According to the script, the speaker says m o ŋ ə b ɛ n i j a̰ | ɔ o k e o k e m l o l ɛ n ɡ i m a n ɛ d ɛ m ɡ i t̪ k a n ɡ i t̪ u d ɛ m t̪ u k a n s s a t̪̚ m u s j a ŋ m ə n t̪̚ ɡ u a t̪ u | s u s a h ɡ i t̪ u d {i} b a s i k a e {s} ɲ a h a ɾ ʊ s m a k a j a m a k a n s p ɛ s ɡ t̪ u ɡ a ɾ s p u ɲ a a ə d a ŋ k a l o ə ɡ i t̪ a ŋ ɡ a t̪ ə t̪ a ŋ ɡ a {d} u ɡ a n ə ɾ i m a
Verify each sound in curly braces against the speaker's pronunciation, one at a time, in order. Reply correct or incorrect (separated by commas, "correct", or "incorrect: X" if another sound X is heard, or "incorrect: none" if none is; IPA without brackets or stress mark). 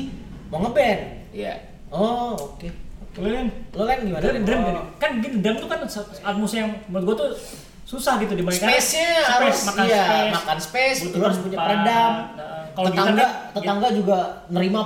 correct, correct, incorrect: d͡ʒ